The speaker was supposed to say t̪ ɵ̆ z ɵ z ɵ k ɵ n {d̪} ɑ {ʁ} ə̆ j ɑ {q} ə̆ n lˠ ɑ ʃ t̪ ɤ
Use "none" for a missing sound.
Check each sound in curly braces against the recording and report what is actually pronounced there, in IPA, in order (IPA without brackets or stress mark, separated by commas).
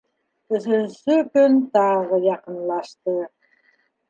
t̪, ʁ, q